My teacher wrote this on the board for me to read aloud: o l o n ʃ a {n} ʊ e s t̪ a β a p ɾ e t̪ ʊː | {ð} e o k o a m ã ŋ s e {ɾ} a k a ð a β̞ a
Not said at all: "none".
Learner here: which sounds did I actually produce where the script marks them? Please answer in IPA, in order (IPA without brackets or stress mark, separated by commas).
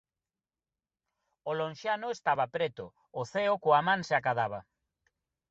n, θ, none